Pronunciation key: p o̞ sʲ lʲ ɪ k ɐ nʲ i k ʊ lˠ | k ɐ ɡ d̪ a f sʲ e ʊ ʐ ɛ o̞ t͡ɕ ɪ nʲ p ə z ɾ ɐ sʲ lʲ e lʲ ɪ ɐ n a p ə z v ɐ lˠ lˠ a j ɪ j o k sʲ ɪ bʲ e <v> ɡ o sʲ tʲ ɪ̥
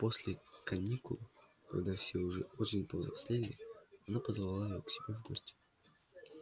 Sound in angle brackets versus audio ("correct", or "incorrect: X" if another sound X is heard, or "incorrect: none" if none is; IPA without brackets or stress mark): correct